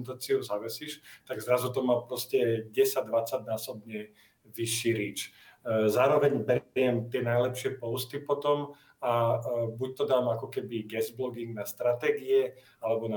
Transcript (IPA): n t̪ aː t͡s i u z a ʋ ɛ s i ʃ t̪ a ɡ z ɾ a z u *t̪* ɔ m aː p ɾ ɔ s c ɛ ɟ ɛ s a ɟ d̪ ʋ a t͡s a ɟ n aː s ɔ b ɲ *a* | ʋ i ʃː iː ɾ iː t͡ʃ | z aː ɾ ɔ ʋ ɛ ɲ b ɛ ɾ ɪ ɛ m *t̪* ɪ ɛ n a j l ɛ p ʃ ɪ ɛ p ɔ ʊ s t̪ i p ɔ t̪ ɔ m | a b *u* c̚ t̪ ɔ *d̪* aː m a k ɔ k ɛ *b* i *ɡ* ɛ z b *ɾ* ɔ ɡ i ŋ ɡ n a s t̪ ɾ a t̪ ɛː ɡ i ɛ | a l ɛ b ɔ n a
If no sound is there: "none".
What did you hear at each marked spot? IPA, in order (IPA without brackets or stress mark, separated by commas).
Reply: t̪, ɛ, t̪, u, d̪, b, ɡ, l